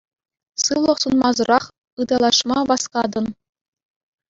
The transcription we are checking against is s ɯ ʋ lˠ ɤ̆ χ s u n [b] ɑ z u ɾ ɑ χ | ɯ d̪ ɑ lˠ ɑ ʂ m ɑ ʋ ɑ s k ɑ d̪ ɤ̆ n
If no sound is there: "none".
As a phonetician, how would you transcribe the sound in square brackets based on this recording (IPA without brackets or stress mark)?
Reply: m